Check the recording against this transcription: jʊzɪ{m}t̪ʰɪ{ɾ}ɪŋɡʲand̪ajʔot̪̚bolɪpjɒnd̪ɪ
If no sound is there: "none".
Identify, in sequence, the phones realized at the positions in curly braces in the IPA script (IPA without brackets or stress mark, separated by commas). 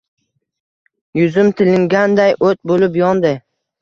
m, l